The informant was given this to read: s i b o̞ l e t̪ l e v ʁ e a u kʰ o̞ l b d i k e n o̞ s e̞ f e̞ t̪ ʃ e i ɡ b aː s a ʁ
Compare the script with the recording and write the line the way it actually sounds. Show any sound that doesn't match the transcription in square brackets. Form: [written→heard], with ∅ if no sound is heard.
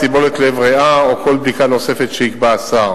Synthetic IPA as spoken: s i b o̞ l e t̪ l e v ʁ e a [u→o] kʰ o̞ l b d i k [e→a] n o̞ s e̞ f e̞ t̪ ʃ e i [ɡ→k] b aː s a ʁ